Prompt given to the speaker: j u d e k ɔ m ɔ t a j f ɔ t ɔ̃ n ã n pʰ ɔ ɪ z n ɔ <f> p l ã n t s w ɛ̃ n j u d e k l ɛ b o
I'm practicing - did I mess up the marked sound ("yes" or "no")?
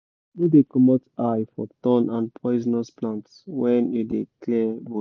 yes